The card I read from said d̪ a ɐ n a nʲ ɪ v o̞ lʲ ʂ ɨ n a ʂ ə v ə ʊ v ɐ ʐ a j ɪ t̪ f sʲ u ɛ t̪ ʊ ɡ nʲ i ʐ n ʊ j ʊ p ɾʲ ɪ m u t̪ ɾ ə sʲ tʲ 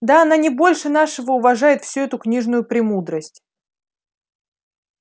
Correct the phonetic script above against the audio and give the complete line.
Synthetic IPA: d̪ a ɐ n a nʲ ɪ b o̞ lʲ ʂ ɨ n a ʂ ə v ə ʊ v ɐ ʐ a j ɪ t̪ f sʲ u ɛ t̪ ʊ k nʲ i ʐ n ʊ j ʊ p ɾʲ ɪ m u d̪ ɾ ə sʲ tʲ